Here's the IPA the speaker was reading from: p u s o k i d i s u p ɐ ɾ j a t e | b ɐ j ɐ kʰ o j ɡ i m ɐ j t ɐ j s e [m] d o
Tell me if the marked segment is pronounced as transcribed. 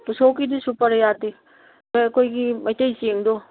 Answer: no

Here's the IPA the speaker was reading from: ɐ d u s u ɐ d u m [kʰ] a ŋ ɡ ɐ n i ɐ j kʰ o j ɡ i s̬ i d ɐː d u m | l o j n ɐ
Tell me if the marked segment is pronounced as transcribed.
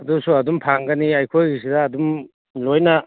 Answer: no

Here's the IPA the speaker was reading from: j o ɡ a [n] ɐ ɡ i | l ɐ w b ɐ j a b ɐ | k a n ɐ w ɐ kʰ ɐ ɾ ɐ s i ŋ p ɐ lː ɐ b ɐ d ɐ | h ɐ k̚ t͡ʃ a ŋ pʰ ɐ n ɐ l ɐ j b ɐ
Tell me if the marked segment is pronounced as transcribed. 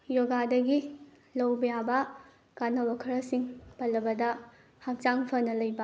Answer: no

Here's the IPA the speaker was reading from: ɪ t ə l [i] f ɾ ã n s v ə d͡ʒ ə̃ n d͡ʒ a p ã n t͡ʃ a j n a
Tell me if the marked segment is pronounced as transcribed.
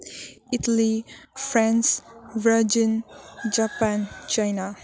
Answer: yes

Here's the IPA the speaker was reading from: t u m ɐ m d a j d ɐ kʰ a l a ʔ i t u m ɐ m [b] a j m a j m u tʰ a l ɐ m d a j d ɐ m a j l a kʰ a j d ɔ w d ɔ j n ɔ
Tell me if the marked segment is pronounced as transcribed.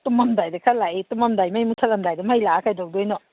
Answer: no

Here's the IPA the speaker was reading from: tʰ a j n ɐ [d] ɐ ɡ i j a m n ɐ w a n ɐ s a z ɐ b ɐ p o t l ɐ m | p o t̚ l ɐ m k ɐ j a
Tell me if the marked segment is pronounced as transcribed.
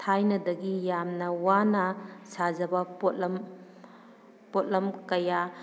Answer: yes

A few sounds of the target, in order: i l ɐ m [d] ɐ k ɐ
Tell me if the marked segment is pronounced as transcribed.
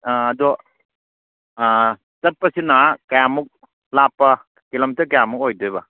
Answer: no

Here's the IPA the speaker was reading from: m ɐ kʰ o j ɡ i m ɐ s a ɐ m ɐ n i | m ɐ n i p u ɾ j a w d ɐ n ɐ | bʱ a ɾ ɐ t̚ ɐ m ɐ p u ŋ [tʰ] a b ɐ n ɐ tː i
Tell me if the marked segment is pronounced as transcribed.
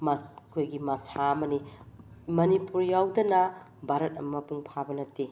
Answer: no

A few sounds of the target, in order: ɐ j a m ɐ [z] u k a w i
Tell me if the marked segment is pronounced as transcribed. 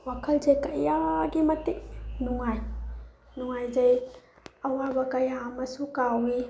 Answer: no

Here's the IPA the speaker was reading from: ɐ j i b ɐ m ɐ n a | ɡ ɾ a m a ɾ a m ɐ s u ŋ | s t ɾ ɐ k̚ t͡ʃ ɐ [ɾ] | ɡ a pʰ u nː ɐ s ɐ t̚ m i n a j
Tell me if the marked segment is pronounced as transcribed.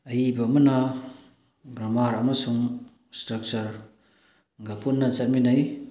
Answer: yes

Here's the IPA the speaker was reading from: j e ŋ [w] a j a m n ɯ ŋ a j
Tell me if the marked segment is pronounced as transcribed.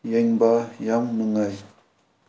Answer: no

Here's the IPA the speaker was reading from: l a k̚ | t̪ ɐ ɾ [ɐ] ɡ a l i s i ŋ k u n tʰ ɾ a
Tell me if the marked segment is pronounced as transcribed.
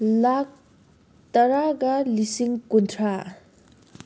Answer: no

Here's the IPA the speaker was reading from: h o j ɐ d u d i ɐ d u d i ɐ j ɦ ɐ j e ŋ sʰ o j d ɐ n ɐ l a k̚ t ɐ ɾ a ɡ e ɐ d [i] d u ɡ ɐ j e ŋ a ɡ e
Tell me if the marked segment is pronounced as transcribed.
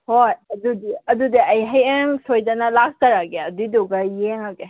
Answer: yes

